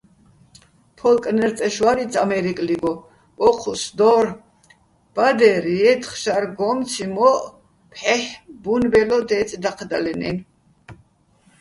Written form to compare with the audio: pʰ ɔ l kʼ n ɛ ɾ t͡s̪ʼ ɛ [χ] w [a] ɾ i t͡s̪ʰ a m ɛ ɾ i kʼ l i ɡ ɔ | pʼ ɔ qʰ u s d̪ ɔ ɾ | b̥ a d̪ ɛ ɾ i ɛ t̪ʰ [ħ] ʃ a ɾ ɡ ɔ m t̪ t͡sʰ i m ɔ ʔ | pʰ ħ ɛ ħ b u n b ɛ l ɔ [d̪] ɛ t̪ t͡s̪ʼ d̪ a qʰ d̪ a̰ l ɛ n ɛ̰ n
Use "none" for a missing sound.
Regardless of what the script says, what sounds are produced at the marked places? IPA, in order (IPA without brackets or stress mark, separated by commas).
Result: ʃ, a, χ, d̪